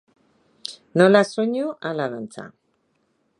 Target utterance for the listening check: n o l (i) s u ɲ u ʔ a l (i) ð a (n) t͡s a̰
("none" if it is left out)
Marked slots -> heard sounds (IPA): a, a, n

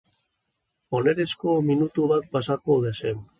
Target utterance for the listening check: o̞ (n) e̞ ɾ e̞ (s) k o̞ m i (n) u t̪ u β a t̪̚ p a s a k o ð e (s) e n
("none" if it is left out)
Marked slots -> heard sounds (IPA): n, s, n, s

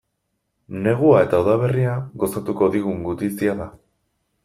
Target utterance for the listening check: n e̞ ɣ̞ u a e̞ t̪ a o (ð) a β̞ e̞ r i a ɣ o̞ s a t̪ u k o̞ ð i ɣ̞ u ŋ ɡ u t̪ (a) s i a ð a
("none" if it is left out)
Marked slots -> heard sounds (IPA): ð, i

